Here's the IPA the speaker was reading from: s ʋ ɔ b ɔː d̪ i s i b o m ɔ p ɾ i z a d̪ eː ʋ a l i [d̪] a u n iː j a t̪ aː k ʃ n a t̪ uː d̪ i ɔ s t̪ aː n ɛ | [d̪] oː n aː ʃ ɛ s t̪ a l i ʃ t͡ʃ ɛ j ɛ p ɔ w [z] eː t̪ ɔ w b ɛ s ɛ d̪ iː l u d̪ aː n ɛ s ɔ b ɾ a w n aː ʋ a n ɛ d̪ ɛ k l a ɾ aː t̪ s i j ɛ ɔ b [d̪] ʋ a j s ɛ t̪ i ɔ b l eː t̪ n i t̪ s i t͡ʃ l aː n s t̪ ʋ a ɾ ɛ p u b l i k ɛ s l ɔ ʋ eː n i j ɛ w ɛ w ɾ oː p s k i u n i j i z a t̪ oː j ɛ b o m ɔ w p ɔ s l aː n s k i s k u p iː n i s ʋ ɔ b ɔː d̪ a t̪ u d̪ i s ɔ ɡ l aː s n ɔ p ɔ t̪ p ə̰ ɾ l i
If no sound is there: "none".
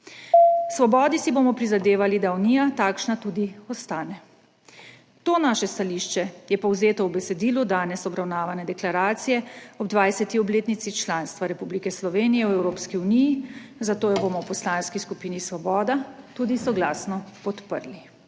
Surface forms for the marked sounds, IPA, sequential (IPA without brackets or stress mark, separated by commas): d̪, t̪, z, d̪